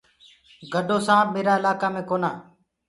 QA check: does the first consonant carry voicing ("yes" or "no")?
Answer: yes